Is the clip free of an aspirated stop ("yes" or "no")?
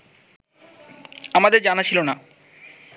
no